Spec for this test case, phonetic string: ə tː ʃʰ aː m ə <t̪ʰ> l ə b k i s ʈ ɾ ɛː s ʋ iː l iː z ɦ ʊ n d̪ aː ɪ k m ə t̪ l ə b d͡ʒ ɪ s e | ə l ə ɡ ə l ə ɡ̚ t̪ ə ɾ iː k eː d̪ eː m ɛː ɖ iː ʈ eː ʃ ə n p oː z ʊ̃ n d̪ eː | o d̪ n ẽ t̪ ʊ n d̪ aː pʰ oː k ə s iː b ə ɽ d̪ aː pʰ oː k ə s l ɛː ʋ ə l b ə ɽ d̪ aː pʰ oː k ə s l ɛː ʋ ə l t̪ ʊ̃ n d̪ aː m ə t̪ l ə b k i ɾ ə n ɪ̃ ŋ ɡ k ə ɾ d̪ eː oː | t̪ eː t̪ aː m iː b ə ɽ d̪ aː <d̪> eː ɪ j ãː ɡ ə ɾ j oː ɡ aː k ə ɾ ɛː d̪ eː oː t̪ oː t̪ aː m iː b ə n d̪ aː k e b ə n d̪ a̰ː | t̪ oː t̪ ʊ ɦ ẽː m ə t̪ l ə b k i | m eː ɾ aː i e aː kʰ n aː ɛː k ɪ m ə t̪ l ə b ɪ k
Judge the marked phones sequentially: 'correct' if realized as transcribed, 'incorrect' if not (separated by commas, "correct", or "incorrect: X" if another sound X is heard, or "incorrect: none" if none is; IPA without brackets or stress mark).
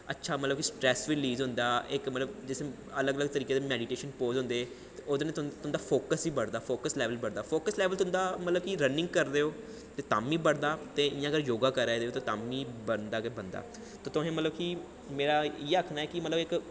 incorrect: t̪, incorrect: t̪